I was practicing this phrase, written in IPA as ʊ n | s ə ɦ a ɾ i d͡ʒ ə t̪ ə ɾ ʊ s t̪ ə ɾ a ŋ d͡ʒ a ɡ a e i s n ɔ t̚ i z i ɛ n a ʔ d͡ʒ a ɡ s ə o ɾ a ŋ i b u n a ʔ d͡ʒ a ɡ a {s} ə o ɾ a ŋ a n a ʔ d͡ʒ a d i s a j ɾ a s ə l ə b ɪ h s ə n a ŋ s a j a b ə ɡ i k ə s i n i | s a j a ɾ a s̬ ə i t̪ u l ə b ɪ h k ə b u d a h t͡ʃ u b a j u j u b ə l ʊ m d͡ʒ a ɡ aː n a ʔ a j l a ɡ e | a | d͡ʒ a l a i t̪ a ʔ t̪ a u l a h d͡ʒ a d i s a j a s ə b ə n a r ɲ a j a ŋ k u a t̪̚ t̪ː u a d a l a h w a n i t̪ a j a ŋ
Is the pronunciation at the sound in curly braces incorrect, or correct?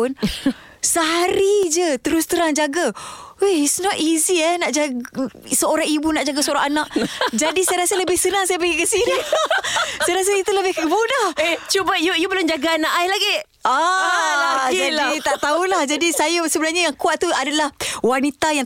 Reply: correct